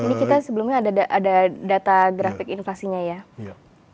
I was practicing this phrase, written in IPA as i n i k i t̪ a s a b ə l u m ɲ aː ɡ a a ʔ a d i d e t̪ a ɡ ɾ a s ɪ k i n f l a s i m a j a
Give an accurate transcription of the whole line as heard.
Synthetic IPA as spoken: i n i k i t̪ a s ə b ə l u m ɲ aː d a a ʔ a d a d a t̪ a ɡ ɾ a f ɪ k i n f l a s i ɲ a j a